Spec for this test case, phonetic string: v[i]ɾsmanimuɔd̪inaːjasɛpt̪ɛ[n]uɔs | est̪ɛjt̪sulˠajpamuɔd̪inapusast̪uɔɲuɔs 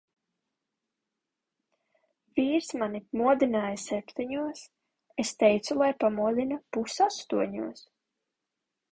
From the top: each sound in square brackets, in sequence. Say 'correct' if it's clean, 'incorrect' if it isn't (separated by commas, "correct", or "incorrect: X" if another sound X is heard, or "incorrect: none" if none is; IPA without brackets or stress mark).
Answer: incorrect: iː, incorrect: ɲ